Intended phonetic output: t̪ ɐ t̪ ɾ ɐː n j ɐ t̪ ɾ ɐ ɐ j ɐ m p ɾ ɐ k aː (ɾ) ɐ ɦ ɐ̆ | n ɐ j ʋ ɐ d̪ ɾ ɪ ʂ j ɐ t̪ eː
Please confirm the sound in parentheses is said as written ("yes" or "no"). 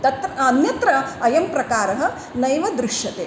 yes